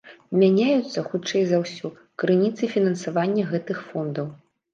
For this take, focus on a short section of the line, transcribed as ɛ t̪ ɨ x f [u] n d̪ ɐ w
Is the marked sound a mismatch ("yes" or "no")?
yes